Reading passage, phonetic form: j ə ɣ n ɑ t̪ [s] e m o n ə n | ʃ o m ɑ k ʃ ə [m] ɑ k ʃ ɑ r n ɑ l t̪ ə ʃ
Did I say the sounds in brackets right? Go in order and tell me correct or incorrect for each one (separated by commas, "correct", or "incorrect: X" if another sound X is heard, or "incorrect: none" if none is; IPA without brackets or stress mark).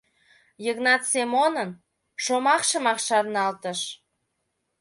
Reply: correct, correct